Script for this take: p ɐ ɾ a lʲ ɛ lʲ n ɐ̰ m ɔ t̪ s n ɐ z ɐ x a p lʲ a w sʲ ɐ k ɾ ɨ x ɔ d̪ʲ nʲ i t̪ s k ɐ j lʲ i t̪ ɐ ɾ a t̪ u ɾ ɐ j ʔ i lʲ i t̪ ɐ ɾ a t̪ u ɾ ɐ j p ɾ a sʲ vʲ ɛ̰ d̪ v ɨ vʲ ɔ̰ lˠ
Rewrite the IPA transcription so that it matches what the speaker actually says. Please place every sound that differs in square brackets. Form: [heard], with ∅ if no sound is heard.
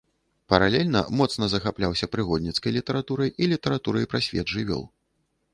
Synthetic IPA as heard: p ɐ ɾ a lʲ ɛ lʲ n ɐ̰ m ɔ t̪ s n ɐ z ɐ x a p lʲ a w sʲ ɐ [p] ɾ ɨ [ɣ] ɔ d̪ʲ nʲ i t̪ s k ɐ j lʲ i t̪ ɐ ɾ a t̪ u ɾ ɐ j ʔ i lʲ i t̪ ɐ ɾ a t̪ u ɾ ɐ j p ɾ a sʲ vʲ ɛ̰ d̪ [ʐ] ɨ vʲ ɔ̰ lˠ